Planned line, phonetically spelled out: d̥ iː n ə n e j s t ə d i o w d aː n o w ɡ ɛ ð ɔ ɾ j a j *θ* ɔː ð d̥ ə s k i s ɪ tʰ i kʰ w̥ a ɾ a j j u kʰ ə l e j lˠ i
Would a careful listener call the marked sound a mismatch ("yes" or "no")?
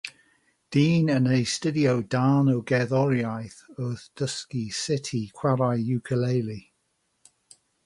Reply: no